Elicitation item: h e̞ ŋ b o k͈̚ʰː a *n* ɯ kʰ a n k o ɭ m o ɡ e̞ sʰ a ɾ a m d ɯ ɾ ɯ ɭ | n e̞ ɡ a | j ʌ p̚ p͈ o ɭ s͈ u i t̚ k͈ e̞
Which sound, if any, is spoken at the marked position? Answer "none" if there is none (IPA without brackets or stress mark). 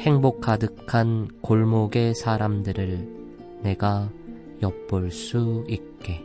d